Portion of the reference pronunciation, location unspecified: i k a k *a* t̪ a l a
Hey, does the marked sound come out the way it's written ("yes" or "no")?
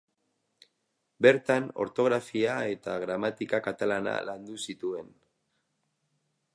yes